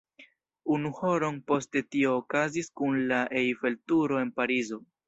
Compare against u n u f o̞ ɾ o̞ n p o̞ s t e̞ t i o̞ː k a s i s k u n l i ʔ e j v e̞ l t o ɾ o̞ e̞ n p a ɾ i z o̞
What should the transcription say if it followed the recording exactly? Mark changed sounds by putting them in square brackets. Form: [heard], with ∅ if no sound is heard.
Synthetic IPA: u n u [h] o̞ ɾ o̞ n p o̞ s t e̞ t i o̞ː k a [z] i s k u n l [a] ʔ e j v e̞ l t [u] ɾ o̞ e̞ n p a ɾ i z o̞